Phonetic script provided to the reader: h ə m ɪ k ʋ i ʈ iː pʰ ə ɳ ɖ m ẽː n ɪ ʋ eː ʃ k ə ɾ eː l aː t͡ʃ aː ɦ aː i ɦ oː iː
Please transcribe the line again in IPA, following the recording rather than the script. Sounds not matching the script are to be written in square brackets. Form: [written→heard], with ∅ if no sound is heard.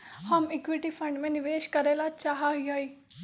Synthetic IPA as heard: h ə m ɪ k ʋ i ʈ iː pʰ ə ɳ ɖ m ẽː n ɪ ʋ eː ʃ k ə ɾ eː l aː t͡ʃ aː ɦ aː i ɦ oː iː